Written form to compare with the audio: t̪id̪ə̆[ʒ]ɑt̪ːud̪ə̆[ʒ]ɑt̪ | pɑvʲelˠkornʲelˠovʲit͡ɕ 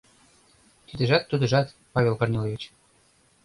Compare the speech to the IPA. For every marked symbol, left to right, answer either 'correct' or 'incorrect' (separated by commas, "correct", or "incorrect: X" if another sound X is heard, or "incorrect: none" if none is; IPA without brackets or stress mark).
correct, correct